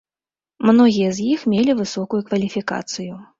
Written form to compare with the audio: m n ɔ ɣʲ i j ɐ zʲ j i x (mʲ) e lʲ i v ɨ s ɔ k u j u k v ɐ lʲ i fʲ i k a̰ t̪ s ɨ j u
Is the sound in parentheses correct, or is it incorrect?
correct